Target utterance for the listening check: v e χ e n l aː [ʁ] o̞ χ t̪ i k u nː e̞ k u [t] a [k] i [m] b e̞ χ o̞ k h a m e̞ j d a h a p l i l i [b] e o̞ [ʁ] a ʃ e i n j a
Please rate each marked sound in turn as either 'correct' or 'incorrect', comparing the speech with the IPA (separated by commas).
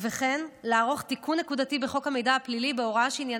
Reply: correct, incorrect, incorrect, incorrect, correct, correct